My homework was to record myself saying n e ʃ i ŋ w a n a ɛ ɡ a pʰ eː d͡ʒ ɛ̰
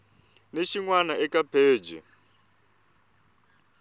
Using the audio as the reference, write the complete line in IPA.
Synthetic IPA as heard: n e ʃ i ŋ w a n a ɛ k a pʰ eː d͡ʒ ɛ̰